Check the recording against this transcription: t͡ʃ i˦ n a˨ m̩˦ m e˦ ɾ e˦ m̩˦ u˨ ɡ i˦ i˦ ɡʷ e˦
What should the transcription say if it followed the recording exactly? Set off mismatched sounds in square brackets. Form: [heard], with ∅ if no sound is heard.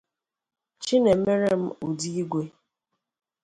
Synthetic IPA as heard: t͡ʃ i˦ n [e˨] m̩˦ m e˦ ɾ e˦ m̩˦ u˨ [d] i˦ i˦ ɡʷ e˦